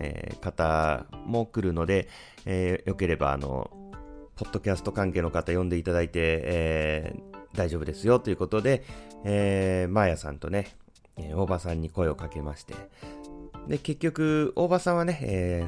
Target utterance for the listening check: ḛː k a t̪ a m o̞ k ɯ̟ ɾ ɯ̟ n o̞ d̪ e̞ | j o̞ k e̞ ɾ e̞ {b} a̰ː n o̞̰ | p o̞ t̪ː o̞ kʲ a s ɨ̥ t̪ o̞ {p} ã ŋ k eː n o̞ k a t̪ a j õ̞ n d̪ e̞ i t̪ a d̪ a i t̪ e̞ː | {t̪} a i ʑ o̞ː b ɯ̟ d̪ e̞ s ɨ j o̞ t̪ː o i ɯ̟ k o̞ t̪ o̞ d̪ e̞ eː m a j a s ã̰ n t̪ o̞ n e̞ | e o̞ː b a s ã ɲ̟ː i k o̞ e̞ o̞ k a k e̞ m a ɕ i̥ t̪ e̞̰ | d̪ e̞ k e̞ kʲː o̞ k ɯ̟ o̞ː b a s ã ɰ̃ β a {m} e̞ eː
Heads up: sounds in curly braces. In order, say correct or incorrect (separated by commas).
correct, incorrect, incorrect, incorrect